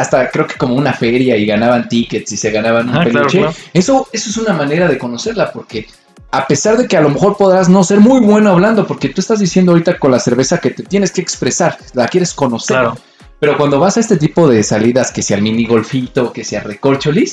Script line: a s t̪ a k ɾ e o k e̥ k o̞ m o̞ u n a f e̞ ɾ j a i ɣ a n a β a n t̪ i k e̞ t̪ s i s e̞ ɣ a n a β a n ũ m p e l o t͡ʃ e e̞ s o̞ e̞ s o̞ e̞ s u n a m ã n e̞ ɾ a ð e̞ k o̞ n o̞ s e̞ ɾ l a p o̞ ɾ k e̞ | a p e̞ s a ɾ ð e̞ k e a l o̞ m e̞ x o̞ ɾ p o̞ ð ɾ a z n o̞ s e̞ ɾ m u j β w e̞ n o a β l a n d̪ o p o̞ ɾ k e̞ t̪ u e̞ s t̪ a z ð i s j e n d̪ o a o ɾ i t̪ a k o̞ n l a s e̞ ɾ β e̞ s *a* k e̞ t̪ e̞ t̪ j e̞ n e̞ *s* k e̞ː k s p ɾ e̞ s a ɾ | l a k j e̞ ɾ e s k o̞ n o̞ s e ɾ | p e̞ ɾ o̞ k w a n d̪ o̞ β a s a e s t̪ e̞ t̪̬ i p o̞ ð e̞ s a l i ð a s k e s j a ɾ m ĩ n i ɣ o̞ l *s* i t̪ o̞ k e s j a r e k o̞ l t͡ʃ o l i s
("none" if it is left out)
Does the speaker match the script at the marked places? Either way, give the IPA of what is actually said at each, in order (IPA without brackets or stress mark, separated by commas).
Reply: a, s, f